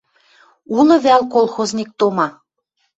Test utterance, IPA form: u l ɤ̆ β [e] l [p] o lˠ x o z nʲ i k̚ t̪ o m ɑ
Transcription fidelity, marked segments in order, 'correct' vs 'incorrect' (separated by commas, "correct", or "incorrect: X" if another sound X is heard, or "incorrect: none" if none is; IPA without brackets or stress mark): incorrect: æ, incorrect: k